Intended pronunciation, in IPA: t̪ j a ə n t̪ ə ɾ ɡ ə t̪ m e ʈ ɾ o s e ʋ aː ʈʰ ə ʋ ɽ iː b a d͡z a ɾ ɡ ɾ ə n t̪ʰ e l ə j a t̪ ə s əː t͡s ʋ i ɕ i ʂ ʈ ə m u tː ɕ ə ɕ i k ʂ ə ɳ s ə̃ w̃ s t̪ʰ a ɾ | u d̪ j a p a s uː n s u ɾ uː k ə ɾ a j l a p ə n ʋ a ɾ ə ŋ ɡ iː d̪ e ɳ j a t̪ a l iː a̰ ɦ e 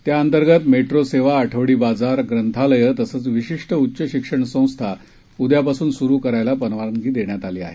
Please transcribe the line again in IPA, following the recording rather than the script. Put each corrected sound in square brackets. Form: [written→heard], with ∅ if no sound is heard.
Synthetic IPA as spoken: t̪ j a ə n t̪ ə ɾ ɡ ə t̪ m e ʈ ɾ o s e ʋ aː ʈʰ ə ʋ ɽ iː b a d͡z a ɾ ɡ ɾ ə n t̪ʰ [e→a] l ə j [a→ə] t̪ ə s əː t͡s ʋ i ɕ i ʂ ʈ ə [m→∅] u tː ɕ ə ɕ i k ʂ ə ɳ s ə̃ w̃ s t̪ʰ a [ɾ→∅] | u d̪ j a p a s uː n s u ɾ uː k ə ɾ a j l a p ə n ʋ a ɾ ə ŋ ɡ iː d̪ e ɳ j a t̪ a l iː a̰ ɦ e